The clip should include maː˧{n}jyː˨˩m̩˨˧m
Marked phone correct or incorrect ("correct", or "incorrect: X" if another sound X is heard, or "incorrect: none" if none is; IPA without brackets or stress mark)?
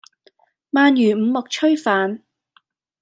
correct